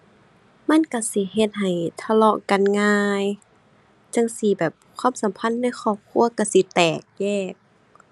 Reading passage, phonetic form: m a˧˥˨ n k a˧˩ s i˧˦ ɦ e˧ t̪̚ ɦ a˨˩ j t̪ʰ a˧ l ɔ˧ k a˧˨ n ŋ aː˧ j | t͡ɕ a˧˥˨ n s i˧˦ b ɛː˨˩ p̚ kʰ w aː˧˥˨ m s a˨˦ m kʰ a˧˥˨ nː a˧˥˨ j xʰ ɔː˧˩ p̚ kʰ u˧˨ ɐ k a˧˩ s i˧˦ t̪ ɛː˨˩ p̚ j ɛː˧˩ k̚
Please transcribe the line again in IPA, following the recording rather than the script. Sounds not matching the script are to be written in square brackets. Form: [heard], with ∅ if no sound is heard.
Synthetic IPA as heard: m a˧˥˨ n k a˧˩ s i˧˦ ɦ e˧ t̪̚ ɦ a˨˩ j t̪ʰ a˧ l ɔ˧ k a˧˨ n ŋ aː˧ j | t͡ɕ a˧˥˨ [ŋ] s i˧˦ b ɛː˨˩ p̚ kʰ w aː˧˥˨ m s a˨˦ m [pʰ] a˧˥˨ nː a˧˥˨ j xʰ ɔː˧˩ p̚ kʰ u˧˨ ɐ k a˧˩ s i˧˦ t̪ ɛː˨˩ [k̚] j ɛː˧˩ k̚